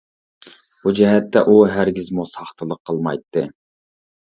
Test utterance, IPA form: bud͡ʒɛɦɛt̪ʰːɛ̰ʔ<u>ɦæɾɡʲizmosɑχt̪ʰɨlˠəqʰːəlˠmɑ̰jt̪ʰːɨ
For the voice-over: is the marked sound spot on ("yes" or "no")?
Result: yes